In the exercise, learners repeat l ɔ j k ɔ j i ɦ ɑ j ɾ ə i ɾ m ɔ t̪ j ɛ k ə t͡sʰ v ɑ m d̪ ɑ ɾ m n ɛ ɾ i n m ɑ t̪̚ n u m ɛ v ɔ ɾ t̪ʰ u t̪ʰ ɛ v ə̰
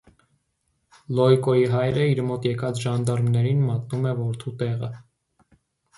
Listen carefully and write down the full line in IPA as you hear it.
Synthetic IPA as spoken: l ɔ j k ɔ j i ɦ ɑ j ɾ ə i ɾ m ɔ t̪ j ɛ k ɑ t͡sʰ ʒ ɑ n d̪ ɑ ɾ m n ɛ ɾ i n m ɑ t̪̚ n u m ɛ v ɔ ɾ t̪ʰ u t̪ ɛ ʁ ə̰